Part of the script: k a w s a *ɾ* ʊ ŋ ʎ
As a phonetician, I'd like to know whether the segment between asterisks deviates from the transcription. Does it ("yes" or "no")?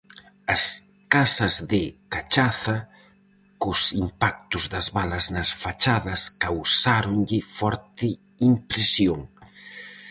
no